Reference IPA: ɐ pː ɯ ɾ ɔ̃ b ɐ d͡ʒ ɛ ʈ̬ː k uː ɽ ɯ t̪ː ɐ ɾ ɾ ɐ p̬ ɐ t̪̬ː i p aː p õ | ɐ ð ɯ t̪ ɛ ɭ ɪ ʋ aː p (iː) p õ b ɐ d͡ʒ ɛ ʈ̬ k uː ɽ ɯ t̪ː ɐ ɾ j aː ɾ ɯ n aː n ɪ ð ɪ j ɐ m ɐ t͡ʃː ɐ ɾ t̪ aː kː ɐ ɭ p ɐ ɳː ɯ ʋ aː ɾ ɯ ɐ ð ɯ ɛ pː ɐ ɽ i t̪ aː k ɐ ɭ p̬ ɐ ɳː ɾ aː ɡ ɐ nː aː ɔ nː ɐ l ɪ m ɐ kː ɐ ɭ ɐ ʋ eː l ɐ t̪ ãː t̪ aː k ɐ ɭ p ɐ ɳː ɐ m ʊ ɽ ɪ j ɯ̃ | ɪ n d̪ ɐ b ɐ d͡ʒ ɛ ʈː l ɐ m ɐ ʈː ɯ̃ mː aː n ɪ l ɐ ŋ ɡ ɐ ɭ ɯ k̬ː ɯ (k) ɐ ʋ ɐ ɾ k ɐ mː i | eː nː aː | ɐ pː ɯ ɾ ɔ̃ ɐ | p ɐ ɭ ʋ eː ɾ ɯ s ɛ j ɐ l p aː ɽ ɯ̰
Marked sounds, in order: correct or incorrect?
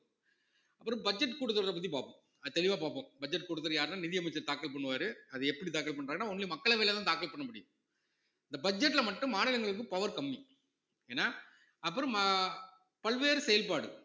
incorrect: aː, incorrect: p

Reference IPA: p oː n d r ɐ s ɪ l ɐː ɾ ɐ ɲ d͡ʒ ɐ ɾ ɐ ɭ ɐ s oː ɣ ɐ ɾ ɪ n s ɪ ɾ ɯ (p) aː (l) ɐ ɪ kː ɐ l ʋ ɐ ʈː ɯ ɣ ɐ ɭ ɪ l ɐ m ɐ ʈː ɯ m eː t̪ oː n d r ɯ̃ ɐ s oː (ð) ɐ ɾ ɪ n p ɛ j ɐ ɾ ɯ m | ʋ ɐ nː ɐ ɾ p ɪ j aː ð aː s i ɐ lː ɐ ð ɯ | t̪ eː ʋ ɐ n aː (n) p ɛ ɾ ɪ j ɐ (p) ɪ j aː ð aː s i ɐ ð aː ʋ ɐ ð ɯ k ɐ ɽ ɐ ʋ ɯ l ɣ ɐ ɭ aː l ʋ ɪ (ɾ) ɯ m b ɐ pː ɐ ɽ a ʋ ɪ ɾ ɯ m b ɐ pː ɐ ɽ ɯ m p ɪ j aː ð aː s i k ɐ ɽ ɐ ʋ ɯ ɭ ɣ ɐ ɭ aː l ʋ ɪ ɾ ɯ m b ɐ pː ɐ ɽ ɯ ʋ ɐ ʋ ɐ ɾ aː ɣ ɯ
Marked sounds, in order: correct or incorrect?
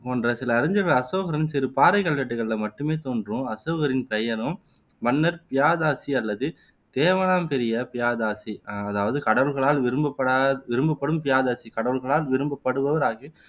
correct, incorrect: ɾ, incorrect: ɣ, incorrect: m, correct, correct

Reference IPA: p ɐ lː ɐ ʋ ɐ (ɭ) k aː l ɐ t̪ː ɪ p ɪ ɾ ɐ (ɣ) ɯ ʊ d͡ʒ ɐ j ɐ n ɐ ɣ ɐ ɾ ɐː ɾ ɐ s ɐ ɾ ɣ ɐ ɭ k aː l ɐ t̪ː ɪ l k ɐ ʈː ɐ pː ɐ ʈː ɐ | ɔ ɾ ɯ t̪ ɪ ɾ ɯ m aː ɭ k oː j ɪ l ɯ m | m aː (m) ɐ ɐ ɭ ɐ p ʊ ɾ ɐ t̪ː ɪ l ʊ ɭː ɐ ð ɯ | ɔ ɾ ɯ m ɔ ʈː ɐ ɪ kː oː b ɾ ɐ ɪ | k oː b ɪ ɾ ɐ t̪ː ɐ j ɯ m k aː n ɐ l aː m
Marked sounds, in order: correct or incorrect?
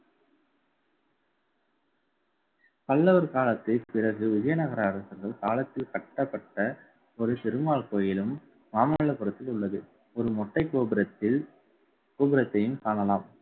incorrect: ɾ, correct, correct

